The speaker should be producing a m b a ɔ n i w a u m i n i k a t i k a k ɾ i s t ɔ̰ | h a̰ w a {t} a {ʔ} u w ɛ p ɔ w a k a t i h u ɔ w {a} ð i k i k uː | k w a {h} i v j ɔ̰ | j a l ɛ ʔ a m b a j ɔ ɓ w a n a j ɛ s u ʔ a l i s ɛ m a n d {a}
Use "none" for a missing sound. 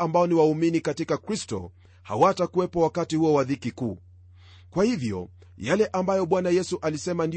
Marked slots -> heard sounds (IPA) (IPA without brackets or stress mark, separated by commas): t, k, a, h, i